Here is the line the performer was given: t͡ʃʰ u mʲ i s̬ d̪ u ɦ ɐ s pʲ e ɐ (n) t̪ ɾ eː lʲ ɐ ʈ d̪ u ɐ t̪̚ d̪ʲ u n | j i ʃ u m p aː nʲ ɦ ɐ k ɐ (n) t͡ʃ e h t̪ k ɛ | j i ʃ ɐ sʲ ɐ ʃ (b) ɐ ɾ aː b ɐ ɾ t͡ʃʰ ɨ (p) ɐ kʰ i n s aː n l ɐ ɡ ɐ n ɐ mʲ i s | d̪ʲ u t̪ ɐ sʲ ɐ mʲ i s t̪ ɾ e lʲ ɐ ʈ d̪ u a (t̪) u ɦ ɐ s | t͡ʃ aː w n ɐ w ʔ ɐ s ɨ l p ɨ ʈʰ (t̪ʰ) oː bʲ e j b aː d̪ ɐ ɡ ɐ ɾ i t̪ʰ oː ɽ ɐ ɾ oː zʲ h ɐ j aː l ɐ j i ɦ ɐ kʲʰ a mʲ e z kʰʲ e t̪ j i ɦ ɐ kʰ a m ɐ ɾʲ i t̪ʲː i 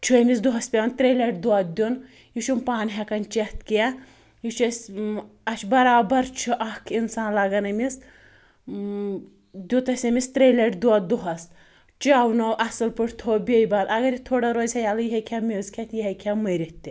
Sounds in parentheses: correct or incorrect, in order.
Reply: correct, correct, correct, incorrect, incorrect, correct

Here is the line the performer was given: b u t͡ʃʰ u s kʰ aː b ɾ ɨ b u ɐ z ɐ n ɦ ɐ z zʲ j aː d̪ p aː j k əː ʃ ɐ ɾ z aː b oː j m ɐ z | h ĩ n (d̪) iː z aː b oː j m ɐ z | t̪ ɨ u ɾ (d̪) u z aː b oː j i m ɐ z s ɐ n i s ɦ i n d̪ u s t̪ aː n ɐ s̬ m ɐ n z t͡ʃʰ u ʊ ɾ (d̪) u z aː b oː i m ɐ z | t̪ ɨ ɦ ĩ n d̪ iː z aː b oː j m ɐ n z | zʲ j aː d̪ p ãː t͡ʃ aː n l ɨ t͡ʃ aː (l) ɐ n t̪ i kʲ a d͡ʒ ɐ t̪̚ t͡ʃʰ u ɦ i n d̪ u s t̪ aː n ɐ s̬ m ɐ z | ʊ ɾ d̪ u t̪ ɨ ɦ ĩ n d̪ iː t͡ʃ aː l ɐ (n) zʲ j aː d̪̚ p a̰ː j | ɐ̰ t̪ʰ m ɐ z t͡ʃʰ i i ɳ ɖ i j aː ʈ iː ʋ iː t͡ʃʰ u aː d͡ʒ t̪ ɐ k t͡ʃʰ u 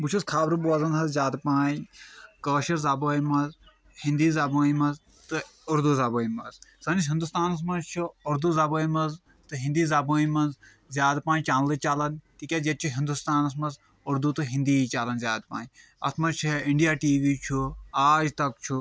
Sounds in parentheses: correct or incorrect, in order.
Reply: correct, correct, correct, correct, correct

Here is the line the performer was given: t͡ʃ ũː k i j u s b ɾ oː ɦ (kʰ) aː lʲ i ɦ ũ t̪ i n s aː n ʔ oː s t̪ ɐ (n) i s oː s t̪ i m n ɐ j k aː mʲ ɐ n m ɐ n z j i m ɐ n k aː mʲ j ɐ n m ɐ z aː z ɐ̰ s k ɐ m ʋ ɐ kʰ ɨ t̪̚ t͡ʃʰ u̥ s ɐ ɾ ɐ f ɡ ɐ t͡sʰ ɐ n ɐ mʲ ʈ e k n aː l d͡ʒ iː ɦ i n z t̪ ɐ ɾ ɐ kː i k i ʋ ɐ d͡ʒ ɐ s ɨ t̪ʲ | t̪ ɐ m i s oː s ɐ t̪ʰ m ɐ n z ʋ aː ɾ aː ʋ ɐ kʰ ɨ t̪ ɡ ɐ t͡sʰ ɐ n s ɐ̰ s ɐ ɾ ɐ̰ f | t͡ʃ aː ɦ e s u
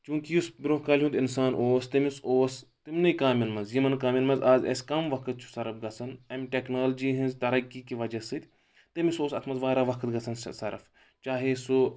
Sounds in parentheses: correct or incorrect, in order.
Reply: incorrect, incorrect

